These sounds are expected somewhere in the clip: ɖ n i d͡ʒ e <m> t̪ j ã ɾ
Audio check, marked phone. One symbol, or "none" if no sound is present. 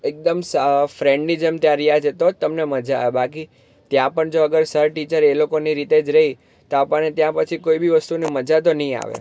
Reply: m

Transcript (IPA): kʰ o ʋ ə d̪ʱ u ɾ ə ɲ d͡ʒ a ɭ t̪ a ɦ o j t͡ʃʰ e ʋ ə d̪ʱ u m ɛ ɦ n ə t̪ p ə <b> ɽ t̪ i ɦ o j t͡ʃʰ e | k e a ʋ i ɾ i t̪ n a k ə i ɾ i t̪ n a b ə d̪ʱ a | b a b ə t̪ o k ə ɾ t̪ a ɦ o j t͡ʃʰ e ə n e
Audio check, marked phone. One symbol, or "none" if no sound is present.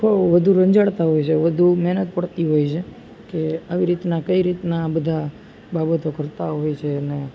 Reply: none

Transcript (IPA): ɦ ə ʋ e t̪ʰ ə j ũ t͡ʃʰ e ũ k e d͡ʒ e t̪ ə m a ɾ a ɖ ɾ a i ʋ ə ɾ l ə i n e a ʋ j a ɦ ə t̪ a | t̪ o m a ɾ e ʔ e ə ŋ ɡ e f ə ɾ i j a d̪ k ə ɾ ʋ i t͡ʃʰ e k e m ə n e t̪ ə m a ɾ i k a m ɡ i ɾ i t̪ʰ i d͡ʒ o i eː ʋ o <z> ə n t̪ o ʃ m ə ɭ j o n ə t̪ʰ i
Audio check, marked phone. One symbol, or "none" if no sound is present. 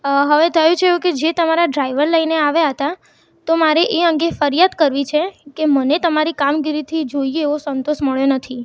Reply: s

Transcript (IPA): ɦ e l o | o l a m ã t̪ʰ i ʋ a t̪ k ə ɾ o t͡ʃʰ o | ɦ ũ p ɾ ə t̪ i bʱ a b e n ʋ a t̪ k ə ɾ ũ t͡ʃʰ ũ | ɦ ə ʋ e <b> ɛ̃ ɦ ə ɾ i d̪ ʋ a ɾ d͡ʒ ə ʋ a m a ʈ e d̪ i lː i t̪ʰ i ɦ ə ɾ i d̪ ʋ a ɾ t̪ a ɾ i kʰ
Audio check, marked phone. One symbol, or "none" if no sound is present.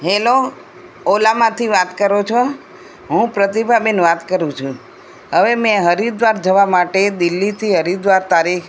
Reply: m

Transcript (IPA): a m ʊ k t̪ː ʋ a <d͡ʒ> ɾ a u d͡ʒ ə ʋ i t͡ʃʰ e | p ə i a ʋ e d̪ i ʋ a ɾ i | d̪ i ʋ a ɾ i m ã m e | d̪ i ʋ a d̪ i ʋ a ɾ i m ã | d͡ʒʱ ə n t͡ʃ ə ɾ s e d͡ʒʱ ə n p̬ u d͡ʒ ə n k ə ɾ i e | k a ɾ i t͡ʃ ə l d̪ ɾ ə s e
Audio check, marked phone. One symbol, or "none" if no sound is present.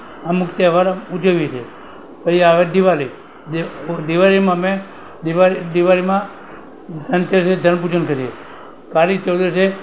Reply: none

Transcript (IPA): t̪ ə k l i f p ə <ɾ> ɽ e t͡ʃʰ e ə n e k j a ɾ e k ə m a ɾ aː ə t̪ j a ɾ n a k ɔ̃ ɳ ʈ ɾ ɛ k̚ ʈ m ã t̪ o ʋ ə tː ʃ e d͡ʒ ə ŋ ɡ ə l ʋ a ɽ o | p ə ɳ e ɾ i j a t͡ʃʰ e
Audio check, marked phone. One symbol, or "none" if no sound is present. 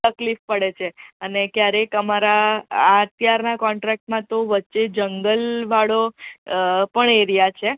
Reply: none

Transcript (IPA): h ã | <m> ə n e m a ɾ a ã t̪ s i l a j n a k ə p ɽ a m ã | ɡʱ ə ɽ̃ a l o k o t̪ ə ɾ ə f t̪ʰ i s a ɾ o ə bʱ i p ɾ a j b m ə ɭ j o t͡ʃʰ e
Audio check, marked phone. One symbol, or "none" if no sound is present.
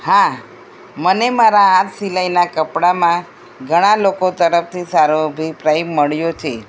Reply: m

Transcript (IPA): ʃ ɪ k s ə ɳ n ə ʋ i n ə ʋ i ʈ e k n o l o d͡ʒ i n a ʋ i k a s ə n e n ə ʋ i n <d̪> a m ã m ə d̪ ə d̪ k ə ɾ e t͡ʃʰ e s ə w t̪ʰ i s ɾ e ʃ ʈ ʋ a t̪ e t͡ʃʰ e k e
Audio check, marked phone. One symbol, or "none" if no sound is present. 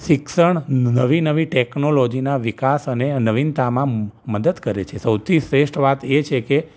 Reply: t̪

